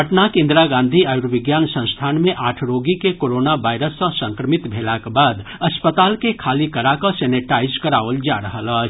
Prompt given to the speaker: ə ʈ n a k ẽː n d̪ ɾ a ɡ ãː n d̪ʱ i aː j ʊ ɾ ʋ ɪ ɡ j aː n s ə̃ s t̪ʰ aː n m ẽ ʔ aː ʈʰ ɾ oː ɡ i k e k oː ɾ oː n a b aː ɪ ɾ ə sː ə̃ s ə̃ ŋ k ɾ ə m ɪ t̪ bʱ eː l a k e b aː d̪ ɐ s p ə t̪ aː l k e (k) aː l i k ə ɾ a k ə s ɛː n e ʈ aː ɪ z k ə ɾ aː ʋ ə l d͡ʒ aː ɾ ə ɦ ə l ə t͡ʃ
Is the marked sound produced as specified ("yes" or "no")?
no